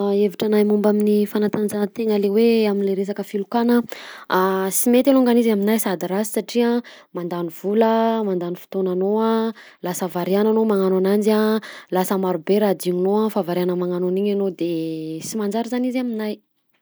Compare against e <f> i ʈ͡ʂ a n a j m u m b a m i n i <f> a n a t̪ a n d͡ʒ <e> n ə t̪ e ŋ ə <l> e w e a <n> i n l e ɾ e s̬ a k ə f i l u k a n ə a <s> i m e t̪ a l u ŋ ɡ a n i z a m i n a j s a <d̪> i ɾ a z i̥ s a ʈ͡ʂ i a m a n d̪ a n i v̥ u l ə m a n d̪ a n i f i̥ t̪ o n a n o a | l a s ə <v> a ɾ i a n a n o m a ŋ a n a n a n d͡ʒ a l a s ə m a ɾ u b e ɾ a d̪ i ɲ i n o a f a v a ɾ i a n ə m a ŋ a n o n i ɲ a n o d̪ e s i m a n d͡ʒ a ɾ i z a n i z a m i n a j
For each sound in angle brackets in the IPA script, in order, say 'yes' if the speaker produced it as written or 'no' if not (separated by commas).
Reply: no, yes, no, yes, no, yes, yes, yes